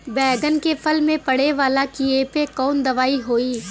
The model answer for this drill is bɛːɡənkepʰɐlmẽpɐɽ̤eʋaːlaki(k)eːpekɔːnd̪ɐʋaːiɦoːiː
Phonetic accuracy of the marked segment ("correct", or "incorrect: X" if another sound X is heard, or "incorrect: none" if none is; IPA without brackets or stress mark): incorrect: none